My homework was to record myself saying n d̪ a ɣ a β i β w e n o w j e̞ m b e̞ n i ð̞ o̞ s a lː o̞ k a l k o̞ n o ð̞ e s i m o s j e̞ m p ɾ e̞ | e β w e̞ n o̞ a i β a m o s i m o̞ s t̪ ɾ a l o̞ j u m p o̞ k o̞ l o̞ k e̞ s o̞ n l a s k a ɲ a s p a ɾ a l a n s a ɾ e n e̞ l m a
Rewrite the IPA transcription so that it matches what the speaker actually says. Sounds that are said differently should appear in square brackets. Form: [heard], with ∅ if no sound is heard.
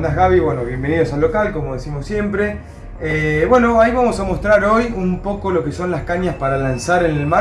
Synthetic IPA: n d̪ a ɣ a β i β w e n o [β] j e̞ m b e̞ n i ð̞ o̞ s a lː o̞ k a l k o̞ [m] o ð̞ e s i m o s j e̞ m p ɾ e̞ | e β w e̞ n o̞ a i β a m o s [a] m o̞ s t̪ ɾ a [ɾ] o̞ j u m p o̞ k o̞ l o̞ k e̞ s o̞ n l a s k a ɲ a s p a ɾ a l a n s a ɾ e n e̞ l m a